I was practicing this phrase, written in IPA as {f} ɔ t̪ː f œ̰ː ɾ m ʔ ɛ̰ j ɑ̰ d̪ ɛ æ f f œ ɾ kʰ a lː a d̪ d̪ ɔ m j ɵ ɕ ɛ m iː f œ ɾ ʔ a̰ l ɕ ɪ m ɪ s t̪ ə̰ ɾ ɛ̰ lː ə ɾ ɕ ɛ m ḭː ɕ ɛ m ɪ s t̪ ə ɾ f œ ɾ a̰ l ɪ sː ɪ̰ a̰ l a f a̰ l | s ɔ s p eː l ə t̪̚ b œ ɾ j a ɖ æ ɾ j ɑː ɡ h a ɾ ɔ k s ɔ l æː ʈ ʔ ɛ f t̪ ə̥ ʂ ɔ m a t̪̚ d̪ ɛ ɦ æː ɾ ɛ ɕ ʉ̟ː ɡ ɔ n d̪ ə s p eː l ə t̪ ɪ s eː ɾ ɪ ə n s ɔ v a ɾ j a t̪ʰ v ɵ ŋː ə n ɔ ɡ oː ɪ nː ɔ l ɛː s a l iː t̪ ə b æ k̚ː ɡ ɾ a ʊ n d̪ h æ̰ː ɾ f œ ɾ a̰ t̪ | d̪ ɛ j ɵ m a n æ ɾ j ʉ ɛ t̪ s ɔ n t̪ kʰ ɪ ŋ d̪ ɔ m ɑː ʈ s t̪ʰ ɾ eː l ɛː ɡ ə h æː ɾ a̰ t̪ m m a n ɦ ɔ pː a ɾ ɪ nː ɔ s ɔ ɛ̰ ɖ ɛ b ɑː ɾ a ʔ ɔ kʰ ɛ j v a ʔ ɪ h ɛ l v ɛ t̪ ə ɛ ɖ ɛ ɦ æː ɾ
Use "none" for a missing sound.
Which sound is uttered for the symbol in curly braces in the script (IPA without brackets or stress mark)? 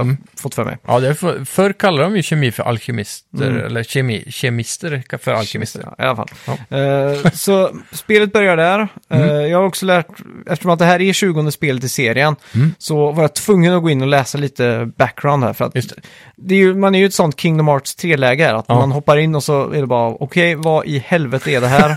f